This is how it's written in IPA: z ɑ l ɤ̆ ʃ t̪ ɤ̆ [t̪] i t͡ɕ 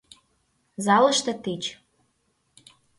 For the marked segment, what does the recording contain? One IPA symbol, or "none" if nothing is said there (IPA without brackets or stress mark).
t̪